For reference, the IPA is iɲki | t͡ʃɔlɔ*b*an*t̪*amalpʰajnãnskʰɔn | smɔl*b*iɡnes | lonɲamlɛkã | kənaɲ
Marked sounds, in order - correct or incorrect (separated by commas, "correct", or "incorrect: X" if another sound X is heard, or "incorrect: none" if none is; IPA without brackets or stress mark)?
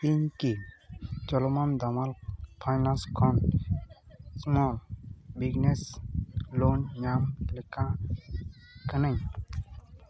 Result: incorrect: m, incorrect: d̪, correct